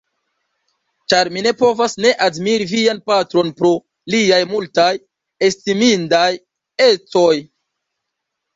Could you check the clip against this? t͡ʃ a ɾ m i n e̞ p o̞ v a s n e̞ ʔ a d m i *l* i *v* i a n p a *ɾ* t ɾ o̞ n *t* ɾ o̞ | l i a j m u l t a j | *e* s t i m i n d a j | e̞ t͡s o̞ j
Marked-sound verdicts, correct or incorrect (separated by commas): incorrect, correct, incorrect, incorrect, correct